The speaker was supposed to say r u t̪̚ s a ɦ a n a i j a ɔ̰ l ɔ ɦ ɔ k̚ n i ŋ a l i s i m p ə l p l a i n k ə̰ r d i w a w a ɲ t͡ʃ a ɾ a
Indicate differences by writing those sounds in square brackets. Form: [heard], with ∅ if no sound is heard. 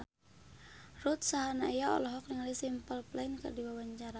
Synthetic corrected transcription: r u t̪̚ s a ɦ a n a i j a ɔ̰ l ɔ ɦ ɔ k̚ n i ŋ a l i s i m p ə l p l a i n k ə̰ r d i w a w a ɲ t͡ʃ a ɾ a